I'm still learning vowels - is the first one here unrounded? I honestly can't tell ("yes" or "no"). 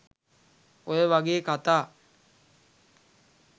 no